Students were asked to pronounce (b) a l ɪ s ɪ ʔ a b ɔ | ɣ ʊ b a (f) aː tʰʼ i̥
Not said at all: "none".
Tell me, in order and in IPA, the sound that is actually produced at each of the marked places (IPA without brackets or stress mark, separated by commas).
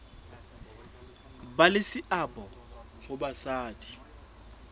b, s